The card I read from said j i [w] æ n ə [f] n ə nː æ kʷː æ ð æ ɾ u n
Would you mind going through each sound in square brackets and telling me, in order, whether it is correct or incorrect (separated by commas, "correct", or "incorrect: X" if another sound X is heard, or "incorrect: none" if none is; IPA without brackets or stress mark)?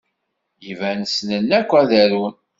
incorrect: v, incorrect: s